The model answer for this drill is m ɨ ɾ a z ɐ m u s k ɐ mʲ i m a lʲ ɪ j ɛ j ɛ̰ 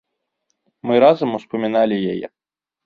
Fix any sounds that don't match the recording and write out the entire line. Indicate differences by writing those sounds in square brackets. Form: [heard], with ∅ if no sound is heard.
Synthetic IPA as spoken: m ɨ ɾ a z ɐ m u s [p] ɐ mʲ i [n] a lʲ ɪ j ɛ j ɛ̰